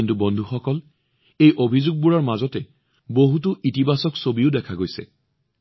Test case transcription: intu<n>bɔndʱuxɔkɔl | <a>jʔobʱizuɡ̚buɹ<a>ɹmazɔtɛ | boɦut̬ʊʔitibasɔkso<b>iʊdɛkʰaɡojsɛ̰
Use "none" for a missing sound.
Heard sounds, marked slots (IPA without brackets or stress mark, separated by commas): none, e, a, b